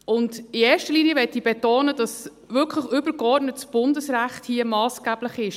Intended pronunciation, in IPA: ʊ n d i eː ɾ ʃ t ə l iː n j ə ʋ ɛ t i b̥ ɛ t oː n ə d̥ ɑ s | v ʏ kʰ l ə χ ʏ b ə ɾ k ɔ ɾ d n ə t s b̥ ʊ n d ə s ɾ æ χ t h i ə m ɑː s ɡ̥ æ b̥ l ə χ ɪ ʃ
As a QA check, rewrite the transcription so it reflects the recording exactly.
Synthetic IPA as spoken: ʊ n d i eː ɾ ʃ t ə l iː n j ə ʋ ɛ t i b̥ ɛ t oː n ə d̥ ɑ s | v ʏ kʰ l ə χ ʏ b ə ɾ k ɔ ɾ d n ə t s b̥ ʊ n d ə s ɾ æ χ t h i ə m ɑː s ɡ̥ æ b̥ l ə χ ɪ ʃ

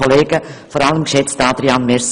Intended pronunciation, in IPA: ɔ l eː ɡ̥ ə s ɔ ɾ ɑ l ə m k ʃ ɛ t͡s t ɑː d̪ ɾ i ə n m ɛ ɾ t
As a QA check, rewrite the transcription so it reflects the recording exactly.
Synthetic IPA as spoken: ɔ l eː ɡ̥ ə f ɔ ɾ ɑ l ə m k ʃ ɛ t͡s t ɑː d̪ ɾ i ɑ n m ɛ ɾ s

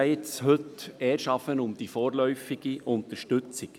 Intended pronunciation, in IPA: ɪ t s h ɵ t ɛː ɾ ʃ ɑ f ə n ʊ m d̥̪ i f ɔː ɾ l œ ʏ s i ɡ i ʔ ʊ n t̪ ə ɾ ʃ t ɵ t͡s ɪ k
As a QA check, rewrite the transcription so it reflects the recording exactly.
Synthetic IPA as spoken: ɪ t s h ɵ t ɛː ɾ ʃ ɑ f ə n ʊ m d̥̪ i f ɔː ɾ l œ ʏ f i ɡ i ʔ ʊ n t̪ ə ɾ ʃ t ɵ t͡s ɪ k

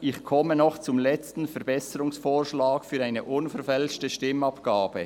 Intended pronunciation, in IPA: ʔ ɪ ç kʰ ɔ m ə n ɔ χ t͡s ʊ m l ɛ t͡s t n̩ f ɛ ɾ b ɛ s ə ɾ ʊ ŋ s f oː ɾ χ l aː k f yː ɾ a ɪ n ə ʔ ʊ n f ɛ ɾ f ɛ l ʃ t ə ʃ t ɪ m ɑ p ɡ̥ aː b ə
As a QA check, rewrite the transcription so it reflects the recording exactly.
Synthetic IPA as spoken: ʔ ɪ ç kʰ ɔ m ə n ɔ χ t͡s ʊ m l ɛ t͡s t n̩ f ɛ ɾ b ɛ s ə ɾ ʊ ŋ s f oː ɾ ʃ l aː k f yː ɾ a ɪ n ə ʔ ʊ n f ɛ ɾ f ɛ l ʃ t ə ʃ t ɪ m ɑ p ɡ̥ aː b ə

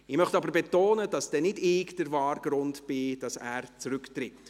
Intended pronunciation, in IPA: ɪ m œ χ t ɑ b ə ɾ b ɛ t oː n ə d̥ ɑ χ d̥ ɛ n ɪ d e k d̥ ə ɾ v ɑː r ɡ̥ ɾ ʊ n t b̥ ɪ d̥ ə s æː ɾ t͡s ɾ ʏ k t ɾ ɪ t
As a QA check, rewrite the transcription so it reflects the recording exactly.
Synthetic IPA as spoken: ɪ m œ χ t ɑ b ə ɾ b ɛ t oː n ə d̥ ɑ s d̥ ɛ n ɪ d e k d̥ ə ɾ v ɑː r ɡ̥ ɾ ʊ n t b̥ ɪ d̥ ɑ s æː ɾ t͡s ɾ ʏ k t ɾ ɪ t

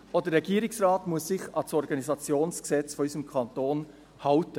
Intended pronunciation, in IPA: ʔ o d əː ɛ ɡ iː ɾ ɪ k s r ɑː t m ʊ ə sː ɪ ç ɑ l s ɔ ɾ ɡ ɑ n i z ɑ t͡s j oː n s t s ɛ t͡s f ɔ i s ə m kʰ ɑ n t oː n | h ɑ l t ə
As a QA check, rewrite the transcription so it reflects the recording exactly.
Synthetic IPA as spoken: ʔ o d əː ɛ ɡ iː ɾ ɪ k s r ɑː t m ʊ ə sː ɪ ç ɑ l s ɔ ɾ ɡ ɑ n i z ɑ t͡s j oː n s k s ɛ t͡s f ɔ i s ə m kʰ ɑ n t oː n | h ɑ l t ə

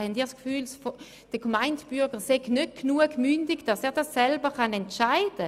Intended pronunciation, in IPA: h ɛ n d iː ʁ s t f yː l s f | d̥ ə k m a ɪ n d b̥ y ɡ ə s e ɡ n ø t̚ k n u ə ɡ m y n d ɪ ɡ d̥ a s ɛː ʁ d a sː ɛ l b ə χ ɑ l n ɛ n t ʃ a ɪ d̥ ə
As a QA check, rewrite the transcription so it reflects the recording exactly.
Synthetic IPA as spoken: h ɛ n d iː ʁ s k f yː l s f | d̥ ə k m a ɪ n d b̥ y ɡ ə s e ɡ n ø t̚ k n u ə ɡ m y n d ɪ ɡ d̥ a s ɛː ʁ d a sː ɛ l b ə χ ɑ n ɛ n t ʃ a ɪ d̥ ə

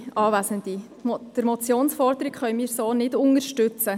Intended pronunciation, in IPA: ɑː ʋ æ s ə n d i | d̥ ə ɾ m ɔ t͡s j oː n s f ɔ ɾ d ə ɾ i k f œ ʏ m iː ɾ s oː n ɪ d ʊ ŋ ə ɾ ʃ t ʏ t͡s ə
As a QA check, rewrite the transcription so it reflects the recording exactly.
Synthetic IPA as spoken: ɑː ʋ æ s ə n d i | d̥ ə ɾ m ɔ t͡s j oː n s f ɔ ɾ d ə ɾ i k χ œ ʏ m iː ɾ s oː n ɪ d ʊ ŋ ə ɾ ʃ t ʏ t͡s ə

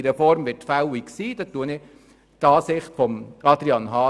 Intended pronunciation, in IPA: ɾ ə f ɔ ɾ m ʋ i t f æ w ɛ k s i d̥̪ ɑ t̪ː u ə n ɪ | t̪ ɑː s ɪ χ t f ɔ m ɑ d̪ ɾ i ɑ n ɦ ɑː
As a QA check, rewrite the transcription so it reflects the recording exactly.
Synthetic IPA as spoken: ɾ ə f ɔ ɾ m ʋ ɪ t f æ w i k s iː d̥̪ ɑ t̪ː u ə n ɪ | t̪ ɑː s ɪ χ t f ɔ m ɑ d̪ ɾ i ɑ n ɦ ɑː

